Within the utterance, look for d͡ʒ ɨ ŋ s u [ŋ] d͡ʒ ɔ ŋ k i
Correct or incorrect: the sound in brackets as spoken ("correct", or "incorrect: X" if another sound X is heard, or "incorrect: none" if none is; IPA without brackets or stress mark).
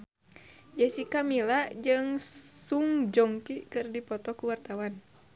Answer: correct